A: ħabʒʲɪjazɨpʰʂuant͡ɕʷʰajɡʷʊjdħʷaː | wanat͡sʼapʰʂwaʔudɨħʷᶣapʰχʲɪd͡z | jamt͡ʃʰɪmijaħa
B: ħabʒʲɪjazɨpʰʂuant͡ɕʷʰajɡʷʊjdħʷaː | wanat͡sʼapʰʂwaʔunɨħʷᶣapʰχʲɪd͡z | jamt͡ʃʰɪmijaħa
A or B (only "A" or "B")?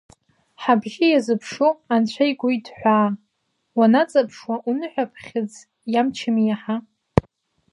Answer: B